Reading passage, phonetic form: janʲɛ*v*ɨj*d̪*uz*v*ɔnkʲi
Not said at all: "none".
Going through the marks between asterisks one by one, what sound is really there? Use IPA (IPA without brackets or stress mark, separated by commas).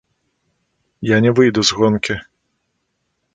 v, d̪, ɣ